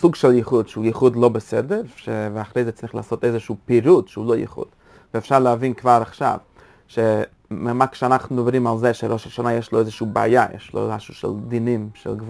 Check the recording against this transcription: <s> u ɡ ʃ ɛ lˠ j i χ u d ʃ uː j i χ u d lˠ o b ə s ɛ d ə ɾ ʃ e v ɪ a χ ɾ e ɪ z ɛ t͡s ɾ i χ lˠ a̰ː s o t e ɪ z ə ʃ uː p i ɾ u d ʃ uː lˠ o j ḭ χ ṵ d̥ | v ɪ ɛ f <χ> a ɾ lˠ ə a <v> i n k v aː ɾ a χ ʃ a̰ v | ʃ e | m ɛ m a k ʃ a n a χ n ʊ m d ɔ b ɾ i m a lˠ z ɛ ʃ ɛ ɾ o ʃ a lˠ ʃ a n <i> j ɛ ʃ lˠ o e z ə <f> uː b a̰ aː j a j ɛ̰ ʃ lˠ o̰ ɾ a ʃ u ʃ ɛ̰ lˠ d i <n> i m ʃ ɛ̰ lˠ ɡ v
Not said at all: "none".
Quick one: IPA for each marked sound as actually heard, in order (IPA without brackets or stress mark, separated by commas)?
s, ʃ, v, a, ʃ, n